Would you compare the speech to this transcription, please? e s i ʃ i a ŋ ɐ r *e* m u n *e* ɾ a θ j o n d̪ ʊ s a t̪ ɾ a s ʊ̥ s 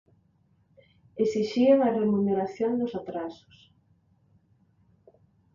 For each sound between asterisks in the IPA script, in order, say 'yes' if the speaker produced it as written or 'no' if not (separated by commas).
yes, yes